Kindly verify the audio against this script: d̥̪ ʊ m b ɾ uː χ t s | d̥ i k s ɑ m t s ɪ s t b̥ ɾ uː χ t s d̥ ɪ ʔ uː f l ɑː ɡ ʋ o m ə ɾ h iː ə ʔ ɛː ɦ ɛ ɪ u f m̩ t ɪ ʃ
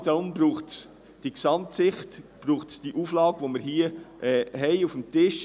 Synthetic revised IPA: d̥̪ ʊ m b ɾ uː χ t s | d̥ i k s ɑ m t s ɪ χ t b̥ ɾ uː χ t s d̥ i ʔ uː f l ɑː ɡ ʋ o m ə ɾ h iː ə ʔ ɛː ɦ ɛ ɪ u f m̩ t ɪ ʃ